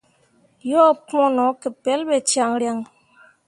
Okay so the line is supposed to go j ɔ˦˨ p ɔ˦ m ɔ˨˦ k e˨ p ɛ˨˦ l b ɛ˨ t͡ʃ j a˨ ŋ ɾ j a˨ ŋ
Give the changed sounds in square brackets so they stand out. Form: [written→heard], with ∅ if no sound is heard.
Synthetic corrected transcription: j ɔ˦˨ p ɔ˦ [m→n] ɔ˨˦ k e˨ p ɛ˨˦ l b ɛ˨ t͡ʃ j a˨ ŋ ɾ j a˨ ŋ